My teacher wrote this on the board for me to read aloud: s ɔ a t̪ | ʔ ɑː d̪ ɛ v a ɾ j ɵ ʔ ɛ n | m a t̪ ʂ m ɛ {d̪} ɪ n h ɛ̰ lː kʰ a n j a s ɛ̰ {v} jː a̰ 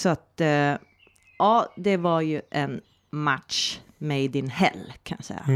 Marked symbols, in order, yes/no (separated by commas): yes, no